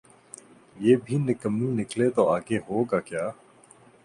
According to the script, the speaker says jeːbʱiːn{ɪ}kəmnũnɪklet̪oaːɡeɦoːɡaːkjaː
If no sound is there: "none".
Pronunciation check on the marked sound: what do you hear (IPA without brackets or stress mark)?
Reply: ɪ